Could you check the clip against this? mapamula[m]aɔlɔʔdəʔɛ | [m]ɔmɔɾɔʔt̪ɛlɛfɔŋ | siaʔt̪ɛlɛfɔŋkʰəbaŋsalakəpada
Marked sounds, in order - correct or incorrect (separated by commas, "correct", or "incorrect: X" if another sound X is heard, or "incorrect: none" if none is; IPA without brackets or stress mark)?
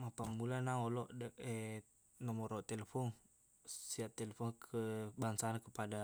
incorrect: n, incorrect: n